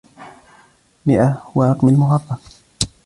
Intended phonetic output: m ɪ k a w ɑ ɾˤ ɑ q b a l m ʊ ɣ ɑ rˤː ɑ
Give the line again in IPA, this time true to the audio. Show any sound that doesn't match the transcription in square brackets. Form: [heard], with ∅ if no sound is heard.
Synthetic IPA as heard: m ɪ [ʔ] a w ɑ ɾˤ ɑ q [m] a l m ʊ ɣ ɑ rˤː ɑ